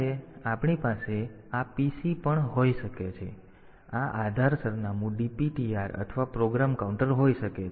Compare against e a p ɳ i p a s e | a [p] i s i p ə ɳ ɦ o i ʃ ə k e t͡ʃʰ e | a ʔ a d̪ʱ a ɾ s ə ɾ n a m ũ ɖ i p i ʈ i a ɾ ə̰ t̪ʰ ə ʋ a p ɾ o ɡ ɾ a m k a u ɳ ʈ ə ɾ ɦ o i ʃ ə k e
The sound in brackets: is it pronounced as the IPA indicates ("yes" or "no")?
yes